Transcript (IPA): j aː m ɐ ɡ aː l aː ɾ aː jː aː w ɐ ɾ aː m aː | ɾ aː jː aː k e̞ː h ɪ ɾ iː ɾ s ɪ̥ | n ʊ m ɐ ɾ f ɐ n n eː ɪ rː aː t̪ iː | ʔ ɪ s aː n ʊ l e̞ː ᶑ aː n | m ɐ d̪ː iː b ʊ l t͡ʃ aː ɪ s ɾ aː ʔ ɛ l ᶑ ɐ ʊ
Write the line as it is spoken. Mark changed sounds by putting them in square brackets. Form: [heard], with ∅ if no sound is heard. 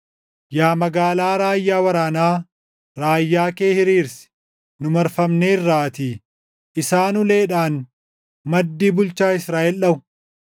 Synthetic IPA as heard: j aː m ɐ ɡ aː l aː ɾ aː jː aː w ɐ ɾ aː [n] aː | ɾ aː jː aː k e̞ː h ɪ ɾ iː ɾ s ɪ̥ | n ʊ m ɐ ɾ f ɐ [m] n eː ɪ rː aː t̪ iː | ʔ ɪ s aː n ʊ l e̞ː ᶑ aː n | m ɐ d̪ː iː b ʊ l t͡ʃ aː ɪ s ɾ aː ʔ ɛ l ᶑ ɐ ʊ